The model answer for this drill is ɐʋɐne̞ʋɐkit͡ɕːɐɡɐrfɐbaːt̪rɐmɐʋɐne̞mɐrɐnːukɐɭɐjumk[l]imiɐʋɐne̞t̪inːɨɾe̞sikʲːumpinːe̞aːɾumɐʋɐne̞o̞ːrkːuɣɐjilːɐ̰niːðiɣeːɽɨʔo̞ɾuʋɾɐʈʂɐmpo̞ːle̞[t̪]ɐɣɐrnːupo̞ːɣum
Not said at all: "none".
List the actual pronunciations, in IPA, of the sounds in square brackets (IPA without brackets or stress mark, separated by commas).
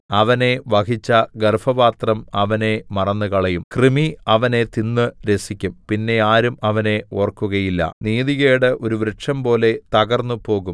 r, t̪